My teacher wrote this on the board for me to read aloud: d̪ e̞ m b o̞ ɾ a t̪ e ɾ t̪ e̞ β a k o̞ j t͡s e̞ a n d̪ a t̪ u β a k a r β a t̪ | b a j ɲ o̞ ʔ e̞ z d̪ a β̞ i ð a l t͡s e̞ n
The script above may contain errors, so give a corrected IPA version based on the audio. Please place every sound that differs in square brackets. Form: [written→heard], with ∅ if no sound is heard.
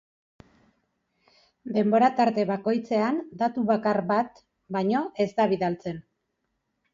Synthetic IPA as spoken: d̪ e̞ m b o̞ ɾ a t̪ [e→a] ɾ t̪ e̞ β a k o̞ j t͡s e̞ a n d̪ a t̪ u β a k a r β a t̪ | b a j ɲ o̞ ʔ e̞ z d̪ a β̞ i ð a l t͡s e̞ n